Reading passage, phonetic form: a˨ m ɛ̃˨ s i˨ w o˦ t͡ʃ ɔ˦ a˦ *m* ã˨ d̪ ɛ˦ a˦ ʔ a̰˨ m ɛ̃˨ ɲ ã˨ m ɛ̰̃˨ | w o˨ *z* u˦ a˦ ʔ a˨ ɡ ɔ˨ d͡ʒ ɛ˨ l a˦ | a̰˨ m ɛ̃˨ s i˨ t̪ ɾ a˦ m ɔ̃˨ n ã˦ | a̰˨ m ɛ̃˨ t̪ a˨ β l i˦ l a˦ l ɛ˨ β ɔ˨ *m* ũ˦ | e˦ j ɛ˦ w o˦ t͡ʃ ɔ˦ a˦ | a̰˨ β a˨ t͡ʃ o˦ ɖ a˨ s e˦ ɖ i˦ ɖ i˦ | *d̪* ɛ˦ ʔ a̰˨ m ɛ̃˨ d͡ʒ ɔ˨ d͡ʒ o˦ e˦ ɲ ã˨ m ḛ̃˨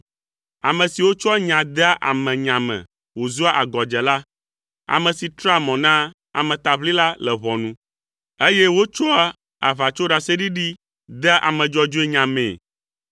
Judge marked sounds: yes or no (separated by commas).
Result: no, yes, no, yes